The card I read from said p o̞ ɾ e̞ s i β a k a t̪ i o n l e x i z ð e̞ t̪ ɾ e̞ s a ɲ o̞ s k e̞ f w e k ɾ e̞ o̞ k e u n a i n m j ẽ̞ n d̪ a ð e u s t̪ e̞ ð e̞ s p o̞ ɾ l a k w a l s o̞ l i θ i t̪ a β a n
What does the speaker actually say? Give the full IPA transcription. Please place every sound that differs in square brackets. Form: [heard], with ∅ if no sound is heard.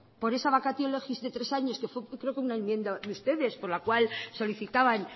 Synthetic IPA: p o̞ ɾ e̞ s [a] β a k a t̪ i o [∅] l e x i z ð e̞ t̪ ɾ e̞ s a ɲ o̞ s k e̞ f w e k ɾ e̞ o̞ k e u n a [e] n m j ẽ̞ n d̪ a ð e u s t̪ e̞ ð e̞ s p o̞ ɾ l a k w a l s o̞ l i θ i t̪ a β a n